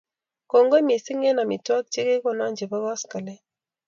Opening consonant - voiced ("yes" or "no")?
no